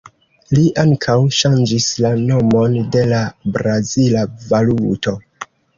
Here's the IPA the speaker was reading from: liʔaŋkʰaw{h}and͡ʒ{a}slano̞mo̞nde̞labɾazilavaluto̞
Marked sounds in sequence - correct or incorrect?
incorrect: ʃ, incorrect: i

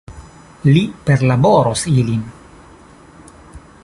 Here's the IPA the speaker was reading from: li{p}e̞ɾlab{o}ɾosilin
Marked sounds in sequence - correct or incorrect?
correct, correct

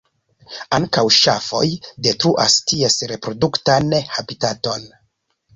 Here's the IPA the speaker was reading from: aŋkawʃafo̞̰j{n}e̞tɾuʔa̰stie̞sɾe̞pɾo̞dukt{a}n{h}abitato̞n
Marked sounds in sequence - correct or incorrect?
incorrect: d, correct, correct

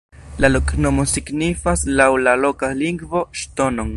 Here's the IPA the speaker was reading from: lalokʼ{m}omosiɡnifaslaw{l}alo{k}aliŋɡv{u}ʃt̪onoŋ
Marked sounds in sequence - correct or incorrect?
incorrect: n, correct, correct, incorrect: o

